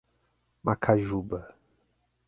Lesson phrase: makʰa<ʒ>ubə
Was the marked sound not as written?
no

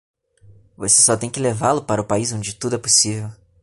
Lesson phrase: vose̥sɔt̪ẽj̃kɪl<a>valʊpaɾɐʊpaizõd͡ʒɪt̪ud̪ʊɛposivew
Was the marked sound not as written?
yes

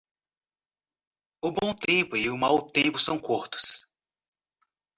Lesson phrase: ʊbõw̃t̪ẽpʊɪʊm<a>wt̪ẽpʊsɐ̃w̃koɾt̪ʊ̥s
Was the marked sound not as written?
no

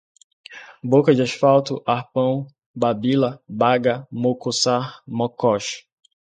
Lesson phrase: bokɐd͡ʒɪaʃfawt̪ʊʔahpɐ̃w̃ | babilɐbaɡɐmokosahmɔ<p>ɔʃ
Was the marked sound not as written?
yes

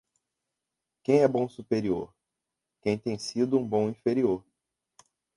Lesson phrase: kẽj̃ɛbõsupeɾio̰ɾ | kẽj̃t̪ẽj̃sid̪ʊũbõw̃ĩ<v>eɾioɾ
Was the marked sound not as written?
yes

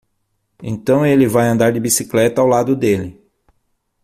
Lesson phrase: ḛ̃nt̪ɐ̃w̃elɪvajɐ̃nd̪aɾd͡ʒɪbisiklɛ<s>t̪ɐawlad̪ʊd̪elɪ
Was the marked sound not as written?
yes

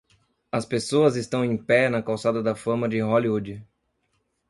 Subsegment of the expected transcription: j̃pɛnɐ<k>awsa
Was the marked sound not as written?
no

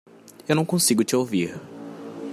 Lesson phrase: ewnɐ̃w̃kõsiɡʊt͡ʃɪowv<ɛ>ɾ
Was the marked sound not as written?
yes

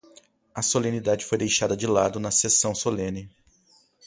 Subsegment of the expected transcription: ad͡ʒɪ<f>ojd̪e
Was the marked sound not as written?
no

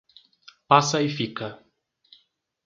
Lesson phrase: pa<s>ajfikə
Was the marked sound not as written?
no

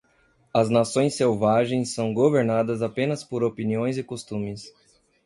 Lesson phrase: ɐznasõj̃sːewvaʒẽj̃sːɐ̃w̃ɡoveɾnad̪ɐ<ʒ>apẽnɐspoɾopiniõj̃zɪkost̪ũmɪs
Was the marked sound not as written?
yes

